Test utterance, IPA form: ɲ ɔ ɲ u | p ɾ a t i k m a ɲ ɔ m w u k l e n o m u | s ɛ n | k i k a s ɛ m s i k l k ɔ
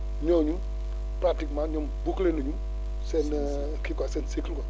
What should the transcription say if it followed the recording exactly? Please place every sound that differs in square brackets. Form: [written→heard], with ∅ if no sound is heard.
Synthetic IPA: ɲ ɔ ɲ u | p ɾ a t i k m a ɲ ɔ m [w→b] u k l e n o [m→ɲ] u | s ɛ n | k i k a s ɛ [m→n] s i k l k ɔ